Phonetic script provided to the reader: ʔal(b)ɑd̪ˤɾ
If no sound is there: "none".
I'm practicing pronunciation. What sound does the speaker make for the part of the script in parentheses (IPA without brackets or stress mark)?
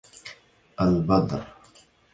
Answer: b